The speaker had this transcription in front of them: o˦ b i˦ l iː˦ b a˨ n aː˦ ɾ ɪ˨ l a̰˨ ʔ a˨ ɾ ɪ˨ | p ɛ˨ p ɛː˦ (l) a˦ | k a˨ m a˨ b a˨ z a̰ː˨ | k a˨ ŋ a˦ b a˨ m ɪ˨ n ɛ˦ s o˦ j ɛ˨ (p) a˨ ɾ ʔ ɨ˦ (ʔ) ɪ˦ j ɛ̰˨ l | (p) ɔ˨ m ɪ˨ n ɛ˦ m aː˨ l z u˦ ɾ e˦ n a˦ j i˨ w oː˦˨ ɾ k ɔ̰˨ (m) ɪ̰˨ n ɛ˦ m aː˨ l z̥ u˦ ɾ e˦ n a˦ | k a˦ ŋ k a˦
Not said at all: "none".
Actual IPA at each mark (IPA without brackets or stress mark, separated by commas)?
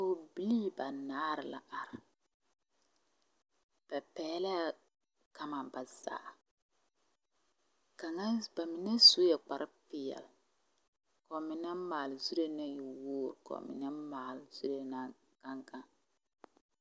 l, k͡p, p, k, m